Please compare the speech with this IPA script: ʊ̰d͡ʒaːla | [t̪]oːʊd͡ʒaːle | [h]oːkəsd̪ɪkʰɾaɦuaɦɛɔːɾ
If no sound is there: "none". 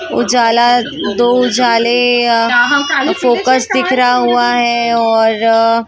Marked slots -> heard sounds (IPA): d̪, f

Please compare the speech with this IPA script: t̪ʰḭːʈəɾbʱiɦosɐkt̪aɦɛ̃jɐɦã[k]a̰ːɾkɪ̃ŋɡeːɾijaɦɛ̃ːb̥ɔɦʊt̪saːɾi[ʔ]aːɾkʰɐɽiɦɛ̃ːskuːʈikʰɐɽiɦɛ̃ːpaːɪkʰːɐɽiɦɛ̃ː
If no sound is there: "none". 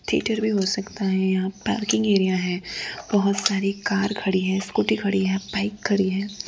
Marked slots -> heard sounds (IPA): p, k

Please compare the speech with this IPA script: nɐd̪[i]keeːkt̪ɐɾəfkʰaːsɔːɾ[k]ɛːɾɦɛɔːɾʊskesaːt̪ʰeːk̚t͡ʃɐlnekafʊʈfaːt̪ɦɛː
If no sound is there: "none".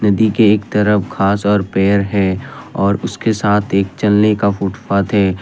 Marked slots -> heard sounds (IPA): i, p

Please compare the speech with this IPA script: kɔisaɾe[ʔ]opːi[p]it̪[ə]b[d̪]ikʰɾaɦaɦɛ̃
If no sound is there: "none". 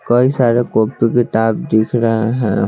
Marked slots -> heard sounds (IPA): k, k, a, d̪

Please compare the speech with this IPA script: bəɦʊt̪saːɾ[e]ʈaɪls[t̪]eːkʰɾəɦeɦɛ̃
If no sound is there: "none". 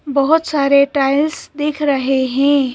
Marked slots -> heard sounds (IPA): e, d̪

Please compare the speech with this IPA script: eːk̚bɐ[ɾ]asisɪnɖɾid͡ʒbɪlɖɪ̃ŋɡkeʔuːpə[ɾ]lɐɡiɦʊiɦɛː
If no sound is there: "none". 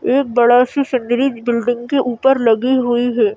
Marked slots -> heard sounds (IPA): ɽ, ɾ

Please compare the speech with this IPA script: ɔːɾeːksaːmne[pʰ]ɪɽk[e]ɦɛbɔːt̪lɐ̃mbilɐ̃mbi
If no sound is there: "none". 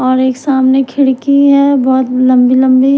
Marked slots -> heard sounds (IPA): kʰ, i

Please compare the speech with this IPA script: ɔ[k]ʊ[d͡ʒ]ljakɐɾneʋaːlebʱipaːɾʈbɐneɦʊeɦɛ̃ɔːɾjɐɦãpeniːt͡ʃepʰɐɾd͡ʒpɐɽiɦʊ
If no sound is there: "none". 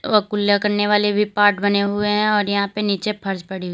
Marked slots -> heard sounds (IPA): k, none

